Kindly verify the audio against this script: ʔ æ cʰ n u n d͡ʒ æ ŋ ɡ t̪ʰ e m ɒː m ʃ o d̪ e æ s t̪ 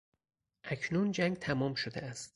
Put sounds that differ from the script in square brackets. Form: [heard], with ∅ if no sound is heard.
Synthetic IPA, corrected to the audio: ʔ æ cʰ n u n d͡ʒ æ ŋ ɡ t̪ʰ [æ] m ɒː m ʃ o d̪ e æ s t̪